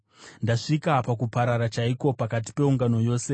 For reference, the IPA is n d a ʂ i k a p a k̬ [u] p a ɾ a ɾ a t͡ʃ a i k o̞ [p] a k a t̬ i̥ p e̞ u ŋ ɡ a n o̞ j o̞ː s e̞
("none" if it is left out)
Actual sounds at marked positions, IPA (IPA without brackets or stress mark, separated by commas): u, p